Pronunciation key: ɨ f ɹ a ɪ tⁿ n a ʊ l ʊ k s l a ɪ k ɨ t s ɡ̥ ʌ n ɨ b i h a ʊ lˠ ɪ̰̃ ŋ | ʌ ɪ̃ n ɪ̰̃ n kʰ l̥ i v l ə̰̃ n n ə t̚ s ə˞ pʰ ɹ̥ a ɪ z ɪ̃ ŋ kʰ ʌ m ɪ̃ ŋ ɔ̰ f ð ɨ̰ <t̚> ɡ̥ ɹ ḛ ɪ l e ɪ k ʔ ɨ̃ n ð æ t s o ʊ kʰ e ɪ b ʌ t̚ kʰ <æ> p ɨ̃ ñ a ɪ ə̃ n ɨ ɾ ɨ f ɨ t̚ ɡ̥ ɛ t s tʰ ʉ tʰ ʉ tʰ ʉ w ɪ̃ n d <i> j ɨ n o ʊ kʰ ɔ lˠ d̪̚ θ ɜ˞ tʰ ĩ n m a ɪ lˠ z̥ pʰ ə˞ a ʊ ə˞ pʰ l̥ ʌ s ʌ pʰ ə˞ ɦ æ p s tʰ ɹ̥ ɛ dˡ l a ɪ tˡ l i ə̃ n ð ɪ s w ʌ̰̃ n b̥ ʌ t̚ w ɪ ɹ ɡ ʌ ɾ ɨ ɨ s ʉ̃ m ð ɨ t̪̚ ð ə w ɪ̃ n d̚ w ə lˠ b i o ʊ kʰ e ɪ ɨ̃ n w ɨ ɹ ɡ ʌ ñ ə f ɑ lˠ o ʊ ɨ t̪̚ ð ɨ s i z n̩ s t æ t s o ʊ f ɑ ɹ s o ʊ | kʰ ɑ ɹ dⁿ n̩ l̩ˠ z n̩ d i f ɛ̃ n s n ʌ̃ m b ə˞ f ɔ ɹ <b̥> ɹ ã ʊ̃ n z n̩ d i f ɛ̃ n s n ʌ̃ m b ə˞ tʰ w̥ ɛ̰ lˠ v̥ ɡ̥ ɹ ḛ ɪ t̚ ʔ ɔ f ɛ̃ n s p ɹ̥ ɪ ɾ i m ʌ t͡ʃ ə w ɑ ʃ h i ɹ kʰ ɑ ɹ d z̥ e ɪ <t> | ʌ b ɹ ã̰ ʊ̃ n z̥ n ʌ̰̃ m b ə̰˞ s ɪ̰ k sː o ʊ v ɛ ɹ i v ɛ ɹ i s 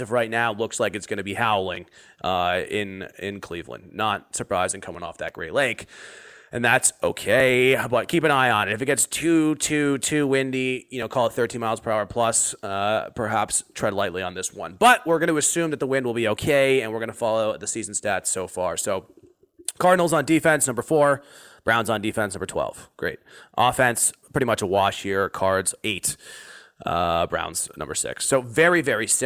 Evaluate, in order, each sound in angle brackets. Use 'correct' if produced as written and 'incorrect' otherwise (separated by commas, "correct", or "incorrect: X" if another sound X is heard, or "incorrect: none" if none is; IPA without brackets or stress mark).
correct, incorrect: i, correct, correct, correct